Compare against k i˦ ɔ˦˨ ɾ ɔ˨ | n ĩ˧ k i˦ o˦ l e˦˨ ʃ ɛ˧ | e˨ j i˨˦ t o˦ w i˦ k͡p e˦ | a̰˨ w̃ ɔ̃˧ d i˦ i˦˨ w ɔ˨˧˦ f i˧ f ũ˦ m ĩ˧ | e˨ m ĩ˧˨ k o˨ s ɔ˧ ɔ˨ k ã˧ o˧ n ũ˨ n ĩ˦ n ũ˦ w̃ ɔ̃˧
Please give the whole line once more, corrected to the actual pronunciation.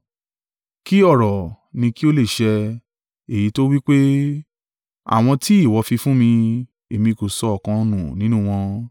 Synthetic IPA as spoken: k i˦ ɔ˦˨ ɾ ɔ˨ | n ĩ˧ k i˦ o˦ l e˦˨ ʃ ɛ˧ | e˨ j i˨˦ t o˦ w i˦ k͡p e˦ | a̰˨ w̃ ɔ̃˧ t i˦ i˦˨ w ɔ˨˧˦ f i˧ f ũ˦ m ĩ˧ | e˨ m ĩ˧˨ k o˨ s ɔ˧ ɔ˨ k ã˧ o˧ n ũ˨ n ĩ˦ n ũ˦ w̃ ɔ̃˧

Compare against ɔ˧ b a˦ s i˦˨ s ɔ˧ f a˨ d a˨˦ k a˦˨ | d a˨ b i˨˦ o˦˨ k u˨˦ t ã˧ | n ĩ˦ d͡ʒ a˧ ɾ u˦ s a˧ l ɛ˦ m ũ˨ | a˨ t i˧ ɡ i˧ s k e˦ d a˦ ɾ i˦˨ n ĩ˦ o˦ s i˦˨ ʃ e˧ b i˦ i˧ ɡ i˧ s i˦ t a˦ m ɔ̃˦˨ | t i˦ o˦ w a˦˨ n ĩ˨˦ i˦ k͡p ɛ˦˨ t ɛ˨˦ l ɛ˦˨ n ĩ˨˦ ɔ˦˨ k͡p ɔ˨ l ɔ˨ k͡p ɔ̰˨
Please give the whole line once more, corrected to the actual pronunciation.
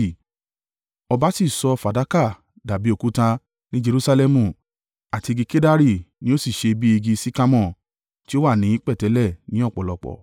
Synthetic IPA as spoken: ɔ˧ b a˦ s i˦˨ s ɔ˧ f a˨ d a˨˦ k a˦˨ | d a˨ b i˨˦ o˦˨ k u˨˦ t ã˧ | n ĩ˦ d͡ʒ e˧ ɾ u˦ s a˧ l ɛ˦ m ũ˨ | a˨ t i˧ ɡ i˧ k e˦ d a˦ ɾ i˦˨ n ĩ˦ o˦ s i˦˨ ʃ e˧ b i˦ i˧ ɡ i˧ s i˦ k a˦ m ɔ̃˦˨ | t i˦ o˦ w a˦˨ n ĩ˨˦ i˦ k͡p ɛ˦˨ t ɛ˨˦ l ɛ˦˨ n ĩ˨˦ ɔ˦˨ k͡p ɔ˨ l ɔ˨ k͡p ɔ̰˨

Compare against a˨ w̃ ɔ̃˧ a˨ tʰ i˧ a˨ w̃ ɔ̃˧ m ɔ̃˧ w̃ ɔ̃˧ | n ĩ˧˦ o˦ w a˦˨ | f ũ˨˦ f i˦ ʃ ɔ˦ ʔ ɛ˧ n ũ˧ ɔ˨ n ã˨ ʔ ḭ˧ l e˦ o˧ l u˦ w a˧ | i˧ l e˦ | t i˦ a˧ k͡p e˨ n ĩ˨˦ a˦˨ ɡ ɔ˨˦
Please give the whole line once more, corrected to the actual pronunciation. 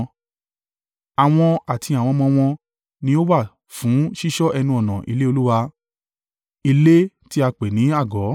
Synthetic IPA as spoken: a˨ w̃ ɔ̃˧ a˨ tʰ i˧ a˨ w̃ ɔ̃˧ m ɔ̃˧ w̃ ɔ̃˧ | n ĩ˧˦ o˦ w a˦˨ | f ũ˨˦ ʃ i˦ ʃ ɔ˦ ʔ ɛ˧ n ũ˧ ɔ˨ n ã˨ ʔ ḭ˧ l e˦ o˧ l u˦ w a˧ | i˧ l e˦ | t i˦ a˧ k͡p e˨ n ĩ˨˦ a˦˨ ɡ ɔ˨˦

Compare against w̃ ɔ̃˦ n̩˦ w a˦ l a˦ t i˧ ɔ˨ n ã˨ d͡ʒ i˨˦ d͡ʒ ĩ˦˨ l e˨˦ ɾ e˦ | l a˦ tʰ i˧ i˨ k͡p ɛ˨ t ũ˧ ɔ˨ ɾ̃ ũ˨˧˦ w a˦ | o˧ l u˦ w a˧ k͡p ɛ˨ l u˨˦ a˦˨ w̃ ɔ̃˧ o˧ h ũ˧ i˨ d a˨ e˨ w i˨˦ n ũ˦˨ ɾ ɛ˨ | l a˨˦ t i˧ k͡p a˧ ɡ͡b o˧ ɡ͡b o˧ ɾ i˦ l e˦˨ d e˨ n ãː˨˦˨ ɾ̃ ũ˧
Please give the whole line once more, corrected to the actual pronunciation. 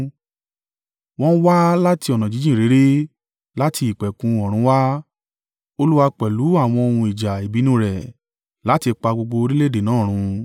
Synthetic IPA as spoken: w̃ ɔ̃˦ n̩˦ w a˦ l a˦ t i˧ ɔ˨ n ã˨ d͡ʒ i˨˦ d͡ʒ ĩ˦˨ ɾ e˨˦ ɾ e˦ | l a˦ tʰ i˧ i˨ k͡p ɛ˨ k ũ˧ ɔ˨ ɾ̃ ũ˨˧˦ w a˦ | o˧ l u˦ w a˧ k͡p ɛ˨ l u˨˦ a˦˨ w̃ ɔ̃˧ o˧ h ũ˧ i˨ d͡ʒ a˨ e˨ b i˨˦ n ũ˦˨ ɾ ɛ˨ | l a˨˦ t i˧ k͡p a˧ ɡ͡b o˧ ɡ͡b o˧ ɾ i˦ l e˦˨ d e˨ n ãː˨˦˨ ɾ̃ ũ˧

